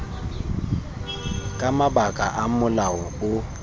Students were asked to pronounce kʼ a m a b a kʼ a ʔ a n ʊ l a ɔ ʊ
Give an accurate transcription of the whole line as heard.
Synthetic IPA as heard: kʼ a m a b a kʼ a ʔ a m ʊ l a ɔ ʊ